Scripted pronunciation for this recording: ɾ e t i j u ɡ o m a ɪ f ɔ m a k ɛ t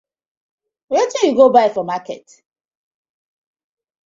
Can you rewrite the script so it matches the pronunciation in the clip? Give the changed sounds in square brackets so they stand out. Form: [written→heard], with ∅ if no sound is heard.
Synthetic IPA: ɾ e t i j u ɡ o [m→b] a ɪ f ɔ m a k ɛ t